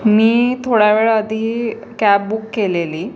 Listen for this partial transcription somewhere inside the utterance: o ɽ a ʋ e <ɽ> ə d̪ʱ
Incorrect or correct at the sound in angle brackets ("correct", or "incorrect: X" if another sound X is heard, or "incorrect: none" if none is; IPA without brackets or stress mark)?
incorrect: ɭ